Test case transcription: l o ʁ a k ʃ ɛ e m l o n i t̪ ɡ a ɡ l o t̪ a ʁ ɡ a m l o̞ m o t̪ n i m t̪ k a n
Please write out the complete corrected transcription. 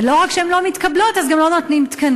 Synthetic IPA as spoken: l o ʁ a k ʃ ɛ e m l o m i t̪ k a b l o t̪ a z ɡ a m l o̞ n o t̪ n i m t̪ k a n